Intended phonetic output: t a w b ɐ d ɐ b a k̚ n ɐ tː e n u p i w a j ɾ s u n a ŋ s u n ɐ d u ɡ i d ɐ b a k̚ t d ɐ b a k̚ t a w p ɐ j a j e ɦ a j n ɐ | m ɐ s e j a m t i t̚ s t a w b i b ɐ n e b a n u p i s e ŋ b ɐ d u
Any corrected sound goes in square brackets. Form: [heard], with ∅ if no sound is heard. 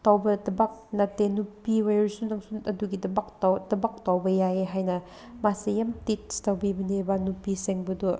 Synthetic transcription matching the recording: t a w b ɐ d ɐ b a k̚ n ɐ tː e n u p i w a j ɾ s u n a ŋ s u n ɐ d u ɡ i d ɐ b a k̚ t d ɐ b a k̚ t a w [b] ɐ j a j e ɦ a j n ɐ | m [a] s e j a m t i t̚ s t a w b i b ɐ n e b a n u p i s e ŋ b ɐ d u